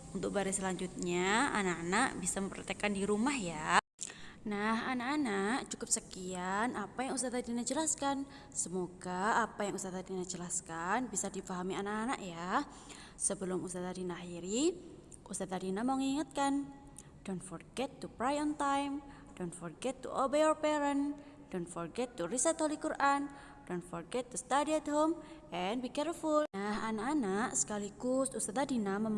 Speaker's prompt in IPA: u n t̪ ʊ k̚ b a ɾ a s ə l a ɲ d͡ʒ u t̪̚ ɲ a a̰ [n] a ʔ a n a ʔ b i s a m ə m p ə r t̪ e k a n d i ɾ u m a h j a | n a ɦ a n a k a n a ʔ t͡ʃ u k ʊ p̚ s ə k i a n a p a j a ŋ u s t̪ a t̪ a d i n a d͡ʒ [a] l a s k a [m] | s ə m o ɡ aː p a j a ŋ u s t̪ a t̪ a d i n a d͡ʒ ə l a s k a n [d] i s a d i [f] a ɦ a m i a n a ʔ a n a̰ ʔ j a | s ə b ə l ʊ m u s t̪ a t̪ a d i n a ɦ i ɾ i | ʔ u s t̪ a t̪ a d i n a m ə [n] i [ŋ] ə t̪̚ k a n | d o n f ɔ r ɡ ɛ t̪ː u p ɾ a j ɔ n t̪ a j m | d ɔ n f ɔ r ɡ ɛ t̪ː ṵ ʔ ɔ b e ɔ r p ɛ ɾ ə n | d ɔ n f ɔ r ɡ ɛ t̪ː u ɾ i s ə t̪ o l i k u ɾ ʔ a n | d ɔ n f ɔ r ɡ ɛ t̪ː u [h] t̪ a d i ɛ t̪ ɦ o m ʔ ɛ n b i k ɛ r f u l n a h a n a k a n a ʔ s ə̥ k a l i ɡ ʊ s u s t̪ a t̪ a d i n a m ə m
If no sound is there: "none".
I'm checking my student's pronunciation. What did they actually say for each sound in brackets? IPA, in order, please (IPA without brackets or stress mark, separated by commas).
n, ə, n, b, f, ŋ, ŋ, s